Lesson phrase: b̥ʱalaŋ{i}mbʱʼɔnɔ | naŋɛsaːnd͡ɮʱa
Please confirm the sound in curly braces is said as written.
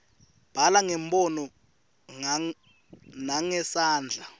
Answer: no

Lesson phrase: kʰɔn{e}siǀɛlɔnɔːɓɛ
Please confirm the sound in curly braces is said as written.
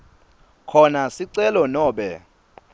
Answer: no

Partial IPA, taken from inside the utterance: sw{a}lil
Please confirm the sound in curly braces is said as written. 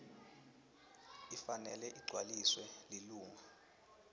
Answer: no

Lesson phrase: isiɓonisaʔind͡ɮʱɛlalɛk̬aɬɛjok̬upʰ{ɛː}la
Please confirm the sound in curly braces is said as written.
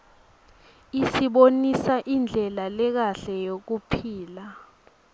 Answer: no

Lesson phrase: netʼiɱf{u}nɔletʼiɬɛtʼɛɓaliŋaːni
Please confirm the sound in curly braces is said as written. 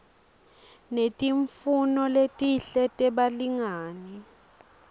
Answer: yes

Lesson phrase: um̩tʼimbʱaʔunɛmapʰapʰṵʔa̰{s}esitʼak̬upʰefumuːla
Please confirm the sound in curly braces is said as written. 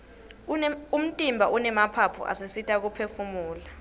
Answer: yes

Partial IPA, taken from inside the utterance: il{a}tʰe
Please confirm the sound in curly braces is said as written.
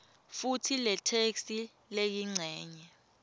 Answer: no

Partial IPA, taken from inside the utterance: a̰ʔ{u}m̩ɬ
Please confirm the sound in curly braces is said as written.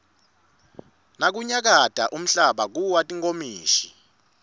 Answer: yes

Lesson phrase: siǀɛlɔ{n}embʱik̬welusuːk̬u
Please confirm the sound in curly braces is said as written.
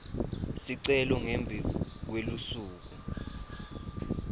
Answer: no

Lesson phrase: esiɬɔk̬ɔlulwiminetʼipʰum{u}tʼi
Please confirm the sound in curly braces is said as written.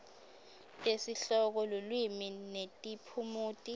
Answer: no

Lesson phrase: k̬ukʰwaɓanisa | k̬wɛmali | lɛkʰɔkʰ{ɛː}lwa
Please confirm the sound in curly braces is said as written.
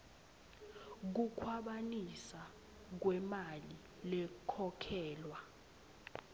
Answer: yes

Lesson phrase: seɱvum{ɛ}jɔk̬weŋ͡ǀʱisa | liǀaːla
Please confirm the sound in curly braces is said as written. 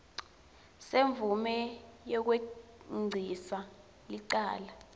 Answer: yes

